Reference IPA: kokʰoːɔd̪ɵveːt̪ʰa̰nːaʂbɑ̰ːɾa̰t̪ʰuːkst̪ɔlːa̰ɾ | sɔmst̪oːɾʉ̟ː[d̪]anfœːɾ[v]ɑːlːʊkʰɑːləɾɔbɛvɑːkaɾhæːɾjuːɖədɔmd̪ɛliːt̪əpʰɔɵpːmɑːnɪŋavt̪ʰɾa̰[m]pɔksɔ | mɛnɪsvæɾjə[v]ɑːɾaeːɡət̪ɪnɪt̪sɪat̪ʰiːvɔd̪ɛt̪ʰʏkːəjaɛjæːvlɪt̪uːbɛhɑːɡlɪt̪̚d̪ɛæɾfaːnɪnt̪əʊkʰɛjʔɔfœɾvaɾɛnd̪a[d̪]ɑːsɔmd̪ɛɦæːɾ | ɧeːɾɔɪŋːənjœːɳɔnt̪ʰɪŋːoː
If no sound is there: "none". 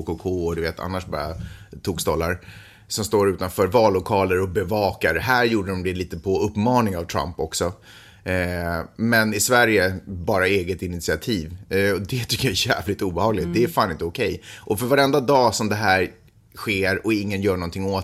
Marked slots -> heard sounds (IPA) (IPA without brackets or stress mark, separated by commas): t̪, v, m, b, d̪